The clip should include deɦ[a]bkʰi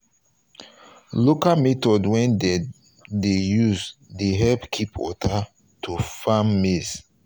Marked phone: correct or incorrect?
incorrect: ɛ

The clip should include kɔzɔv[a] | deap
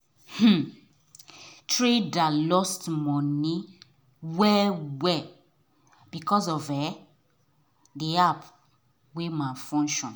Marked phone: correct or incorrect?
incorrect: ɛ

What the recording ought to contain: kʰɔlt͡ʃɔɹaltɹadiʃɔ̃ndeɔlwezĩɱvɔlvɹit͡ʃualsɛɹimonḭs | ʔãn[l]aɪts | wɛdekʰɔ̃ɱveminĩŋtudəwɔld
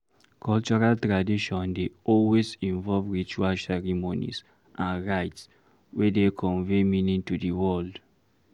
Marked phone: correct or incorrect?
incorrect: ɹ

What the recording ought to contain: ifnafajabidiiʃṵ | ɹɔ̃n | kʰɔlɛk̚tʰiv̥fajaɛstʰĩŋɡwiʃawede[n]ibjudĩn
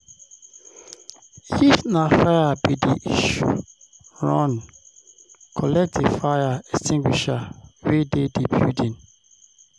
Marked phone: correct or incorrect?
incorrect: d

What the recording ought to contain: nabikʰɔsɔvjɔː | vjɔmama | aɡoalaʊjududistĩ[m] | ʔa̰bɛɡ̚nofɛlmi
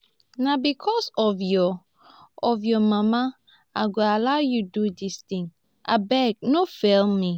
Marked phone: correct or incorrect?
incorrect: ŋ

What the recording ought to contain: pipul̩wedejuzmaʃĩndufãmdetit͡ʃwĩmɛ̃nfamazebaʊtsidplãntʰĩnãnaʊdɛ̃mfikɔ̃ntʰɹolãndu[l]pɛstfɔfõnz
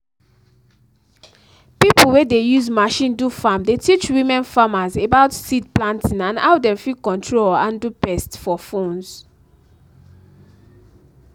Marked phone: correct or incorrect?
incorrect: none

